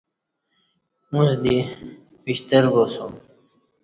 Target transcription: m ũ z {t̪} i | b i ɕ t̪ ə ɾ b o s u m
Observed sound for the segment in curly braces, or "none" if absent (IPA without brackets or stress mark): d̪